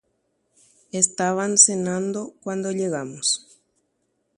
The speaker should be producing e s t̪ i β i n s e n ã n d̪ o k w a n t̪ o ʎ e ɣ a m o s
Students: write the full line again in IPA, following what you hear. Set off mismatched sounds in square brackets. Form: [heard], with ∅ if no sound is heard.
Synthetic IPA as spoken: e s t̪ [a] β [a] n s e n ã n d̪ o k w a n [d̪] o ʎ e ɣ a m o s